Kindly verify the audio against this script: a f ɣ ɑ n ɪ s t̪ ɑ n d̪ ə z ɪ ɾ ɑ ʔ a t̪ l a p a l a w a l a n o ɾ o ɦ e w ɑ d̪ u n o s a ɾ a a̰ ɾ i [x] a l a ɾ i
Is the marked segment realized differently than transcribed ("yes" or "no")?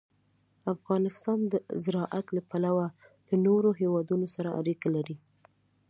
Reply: yes